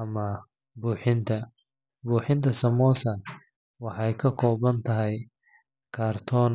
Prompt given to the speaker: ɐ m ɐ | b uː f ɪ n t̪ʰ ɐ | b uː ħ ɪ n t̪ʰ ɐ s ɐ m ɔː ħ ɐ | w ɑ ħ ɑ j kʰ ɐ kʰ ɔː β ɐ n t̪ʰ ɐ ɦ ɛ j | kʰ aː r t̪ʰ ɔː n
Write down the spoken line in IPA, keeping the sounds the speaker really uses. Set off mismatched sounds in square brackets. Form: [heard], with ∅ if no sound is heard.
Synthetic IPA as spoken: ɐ m ɐ | b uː [ħ] ɪ n t̪ʰ ɐ | b uː ħ ɪ n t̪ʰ ɐ s ɐ m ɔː [s] ɐ | w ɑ ħ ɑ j kʰ ɐ kʰ ɔː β ɐ n t̪ʰ ɐ ɦ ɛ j | kʰ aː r t̪ʰ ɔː n